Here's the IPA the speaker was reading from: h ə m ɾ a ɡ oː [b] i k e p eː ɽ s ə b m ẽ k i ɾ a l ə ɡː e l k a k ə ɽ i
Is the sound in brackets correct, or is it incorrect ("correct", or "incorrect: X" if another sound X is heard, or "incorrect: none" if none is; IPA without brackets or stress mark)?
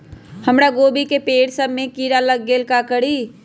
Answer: correct